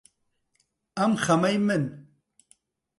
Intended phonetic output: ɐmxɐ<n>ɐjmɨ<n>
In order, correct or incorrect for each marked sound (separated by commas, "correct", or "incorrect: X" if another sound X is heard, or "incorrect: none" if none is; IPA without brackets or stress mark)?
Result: incorrect: m, correct